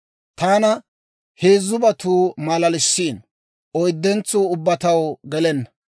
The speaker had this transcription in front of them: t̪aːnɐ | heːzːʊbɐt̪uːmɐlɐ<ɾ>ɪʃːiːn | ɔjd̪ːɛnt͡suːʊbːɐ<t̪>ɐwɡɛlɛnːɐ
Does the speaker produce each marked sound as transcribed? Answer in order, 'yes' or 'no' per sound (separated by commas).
no, yes